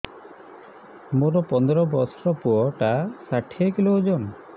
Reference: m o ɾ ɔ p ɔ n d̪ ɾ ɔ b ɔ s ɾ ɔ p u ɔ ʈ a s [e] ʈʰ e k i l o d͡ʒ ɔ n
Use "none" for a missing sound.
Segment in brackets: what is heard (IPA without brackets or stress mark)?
a